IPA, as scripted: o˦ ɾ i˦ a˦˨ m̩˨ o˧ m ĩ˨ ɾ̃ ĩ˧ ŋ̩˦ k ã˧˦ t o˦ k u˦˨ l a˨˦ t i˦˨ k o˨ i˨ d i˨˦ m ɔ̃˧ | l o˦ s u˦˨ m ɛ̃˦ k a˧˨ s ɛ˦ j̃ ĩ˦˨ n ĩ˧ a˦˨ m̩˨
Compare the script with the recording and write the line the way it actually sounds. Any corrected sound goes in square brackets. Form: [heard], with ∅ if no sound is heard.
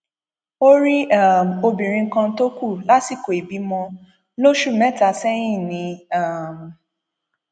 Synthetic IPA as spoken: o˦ ɾ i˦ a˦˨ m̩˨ o˧ [b] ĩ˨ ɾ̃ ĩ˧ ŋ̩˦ k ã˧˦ t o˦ k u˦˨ l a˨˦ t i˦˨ k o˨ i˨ [b] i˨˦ m ɔ̃˧ | l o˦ [ʃ] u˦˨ m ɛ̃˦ [t] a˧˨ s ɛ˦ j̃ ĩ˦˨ n ĩ˧ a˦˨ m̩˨